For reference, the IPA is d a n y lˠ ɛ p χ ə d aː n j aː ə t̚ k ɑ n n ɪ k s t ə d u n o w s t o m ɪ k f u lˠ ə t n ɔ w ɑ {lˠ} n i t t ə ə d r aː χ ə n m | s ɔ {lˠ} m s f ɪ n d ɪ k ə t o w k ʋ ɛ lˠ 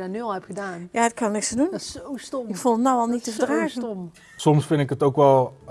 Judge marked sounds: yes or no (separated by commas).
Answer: yes, no